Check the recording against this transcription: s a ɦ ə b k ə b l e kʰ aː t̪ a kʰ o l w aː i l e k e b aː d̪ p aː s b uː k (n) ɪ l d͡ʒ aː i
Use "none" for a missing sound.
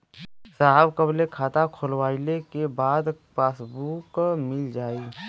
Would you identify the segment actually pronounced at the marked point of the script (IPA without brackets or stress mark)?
m